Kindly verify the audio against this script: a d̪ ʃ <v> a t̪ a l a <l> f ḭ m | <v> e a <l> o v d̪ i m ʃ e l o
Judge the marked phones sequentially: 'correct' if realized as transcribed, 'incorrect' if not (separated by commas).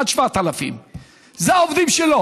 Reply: correct, incorrect, incorrect, incorrect